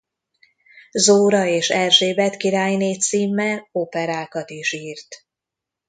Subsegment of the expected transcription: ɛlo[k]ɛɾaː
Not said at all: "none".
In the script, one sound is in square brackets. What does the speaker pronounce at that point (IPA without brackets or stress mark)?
p